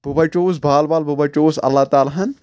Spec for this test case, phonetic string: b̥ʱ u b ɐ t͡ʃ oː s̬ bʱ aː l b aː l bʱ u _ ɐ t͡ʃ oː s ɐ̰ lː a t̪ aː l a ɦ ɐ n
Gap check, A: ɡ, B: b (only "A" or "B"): B